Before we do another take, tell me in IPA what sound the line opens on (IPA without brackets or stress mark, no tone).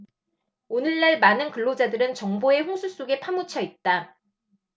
o